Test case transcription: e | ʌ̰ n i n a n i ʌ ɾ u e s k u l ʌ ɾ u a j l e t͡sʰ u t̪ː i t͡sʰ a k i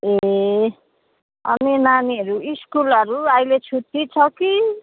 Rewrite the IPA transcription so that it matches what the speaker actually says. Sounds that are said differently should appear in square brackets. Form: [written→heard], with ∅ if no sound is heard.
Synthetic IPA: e | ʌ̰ n i n a n i ʌ ɾ u [e→i] s k u l ʌ ɾ u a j l e t͡sʰ u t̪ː i t͡sʰ [a→ʌ] k i